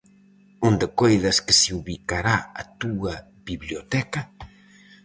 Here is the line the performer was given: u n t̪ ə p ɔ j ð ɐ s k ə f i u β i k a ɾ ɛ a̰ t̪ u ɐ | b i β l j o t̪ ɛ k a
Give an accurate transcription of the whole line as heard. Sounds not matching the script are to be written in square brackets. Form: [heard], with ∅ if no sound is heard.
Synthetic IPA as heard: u n [d̪] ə [k] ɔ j ð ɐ s k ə [s] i u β i k a ɾ [a] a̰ t̪ u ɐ | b i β l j o t̪ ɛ k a